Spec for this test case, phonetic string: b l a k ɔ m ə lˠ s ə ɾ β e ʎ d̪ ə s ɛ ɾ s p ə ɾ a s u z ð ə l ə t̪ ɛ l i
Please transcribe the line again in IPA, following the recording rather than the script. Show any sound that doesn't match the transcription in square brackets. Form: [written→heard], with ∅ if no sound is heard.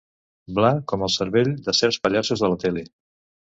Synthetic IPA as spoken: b l a k ɔ m ə lˠ s ə ɾ β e ʎ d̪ ə s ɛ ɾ s p ə [ɾ→ʎ] a s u z ð ə l ə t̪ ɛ l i

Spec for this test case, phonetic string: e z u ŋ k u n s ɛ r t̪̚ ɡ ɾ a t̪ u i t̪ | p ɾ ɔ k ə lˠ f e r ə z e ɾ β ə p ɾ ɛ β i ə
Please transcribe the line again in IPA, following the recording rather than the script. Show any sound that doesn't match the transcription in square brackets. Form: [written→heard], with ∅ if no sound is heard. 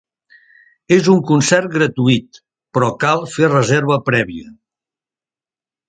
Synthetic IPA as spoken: e z u ŋ k u n s ɛ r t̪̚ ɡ ɾ [a→ə] t̪ u i t̪ | p ɾ ɔ k [ə→a] lˠ f e r ə z e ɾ β ə p ɾ ɛ β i ə

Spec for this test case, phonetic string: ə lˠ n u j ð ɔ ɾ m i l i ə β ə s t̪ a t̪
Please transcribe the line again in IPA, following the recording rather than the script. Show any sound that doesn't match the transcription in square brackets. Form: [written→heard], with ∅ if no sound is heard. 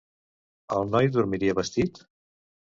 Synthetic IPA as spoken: ə lˠ n [u→ɔ] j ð [ɔ→u] ɾ m i [l→ɾ] i ə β ə s t̪ [a→i] t̪

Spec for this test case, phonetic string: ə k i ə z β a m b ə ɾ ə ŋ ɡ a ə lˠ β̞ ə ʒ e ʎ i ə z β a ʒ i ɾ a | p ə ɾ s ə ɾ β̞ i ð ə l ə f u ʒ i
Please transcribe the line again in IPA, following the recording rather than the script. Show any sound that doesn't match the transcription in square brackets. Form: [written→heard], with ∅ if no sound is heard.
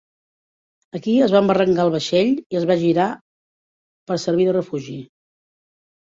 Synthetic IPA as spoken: ə k i ə z β a m b ə [ɾ→r] ə ŋ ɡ a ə lˠ β̞ ə [ʒ→ʃ] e ʎ i ə z β a ʒ i ɾ a | p ə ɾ s ə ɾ β̞ i ð ə [l→r] ə f u ʒ i

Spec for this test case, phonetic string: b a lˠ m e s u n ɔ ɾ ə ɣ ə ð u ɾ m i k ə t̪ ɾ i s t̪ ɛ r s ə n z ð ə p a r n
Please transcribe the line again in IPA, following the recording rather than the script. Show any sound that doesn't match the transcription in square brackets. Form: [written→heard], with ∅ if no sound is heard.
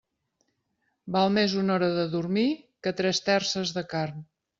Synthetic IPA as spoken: b a lˠ m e [s→z] u n ɔ ɾ ə [ɣ→ð] ə ð u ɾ m i k ə t̪ ɾ [i→ɛ] s t̪ ɛ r s ə [n→∅] z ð ə [p→k] a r n

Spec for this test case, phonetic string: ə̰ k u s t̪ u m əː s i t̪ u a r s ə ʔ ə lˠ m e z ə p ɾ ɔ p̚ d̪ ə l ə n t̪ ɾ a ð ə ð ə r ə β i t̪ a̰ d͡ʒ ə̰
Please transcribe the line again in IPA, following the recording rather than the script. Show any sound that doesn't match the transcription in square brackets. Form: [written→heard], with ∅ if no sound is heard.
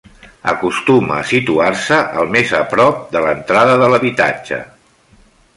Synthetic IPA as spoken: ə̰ k u s t̪ u m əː s i t̪ u a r s ə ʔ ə lˠ m e z ə p ɾ ɔ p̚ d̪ ə l ə n t̪ ɾ a ð ə ð ə [r→l] ə β i t̪ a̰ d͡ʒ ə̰

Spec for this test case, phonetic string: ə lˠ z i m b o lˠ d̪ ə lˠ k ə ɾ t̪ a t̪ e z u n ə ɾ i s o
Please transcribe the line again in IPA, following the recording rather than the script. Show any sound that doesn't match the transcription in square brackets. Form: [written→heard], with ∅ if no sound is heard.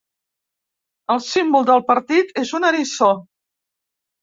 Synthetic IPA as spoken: ə lˠ [z→s] i m b [o→u] lˠ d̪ ə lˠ [k→p] ə ɾ t̪ [a→i] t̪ e z u n ə ɾ i s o

